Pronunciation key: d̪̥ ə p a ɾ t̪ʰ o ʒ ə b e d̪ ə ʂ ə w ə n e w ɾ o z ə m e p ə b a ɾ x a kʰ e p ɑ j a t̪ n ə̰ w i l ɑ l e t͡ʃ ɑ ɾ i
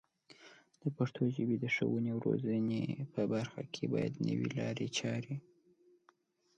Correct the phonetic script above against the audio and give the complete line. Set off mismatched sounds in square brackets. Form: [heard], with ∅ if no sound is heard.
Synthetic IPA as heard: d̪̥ ə p a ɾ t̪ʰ o ʒ ə b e d̪ ə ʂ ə w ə n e w ɾ o z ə [n] e p ə b a ɾ x a kʰ e [b] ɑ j a [d̪] n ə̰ w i l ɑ [ɾ] e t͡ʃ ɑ ɾ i